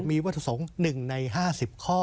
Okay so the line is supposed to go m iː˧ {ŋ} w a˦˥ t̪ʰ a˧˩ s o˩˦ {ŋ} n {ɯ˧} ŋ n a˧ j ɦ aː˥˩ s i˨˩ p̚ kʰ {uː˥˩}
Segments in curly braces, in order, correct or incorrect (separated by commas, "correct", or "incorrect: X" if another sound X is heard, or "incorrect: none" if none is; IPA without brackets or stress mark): incorrect: none, correct, incorrect: ɯ˨˩, incorrect: ɔː˥˩